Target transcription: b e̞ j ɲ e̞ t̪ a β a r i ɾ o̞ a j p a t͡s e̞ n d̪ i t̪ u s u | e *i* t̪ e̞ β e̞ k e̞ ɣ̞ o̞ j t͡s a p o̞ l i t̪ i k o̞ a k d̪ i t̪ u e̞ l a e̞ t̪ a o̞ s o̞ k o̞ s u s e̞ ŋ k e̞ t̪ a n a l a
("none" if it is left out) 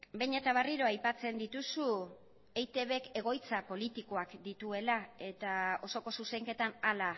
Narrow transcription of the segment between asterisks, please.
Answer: j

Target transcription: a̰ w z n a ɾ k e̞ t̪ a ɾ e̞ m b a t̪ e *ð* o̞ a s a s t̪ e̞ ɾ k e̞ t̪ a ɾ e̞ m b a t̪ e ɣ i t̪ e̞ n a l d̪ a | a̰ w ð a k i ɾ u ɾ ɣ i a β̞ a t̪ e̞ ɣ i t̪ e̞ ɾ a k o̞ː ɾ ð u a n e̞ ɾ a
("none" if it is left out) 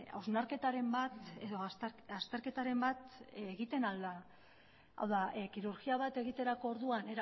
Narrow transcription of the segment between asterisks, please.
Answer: ð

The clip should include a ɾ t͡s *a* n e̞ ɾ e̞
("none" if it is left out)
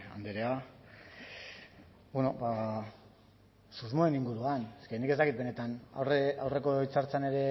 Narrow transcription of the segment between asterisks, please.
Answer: a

